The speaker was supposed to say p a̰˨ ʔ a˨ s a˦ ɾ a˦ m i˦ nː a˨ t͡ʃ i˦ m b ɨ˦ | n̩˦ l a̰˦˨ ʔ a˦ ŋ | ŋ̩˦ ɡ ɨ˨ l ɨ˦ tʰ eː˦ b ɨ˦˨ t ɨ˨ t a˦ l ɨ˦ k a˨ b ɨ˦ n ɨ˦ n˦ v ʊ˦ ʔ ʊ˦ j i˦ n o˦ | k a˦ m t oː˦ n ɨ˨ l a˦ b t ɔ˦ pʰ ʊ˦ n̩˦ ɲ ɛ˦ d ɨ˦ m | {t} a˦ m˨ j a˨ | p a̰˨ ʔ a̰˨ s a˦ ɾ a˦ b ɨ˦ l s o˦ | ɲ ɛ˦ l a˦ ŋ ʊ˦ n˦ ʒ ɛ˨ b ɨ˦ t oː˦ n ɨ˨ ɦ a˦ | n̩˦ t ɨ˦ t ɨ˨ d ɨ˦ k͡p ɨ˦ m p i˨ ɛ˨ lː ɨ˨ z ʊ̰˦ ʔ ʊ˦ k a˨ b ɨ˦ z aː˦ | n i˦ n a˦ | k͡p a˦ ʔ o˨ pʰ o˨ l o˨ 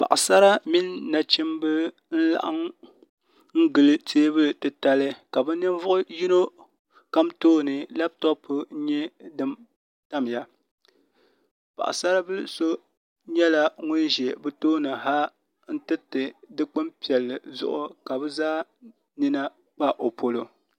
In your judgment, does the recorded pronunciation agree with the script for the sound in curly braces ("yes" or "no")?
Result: yes